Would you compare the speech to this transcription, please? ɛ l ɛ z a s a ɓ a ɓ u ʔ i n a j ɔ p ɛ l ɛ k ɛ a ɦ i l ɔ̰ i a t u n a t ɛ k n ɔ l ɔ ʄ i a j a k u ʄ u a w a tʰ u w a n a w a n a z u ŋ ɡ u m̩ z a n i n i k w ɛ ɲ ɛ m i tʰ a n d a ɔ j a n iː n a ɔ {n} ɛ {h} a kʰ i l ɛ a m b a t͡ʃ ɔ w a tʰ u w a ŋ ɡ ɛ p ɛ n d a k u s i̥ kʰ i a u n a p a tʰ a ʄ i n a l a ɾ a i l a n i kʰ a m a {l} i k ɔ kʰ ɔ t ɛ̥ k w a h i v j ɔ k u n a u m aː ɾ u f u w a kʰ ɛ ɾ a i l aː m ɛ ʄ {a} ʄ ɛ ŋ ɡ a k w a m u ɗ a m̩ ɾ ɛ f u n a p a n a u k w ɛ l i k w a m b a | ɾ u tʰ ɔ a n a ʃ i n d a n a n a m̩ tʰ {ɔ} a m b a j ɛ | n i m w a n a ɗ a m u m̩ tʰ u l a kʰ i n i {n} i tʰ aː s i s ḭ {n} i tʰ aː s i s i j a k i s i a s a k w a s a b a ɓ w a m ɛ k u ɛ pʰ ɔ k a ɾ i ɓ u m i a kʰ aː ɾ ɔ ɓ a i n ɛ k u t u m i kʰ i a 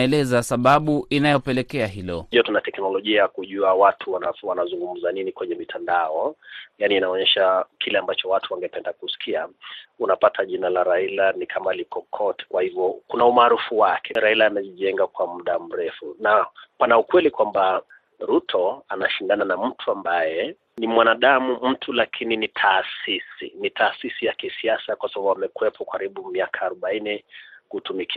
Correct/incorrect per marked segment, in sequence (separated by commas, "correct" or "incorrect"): incorrect, incorrect, correct, incorrect, incorrect, correct, correct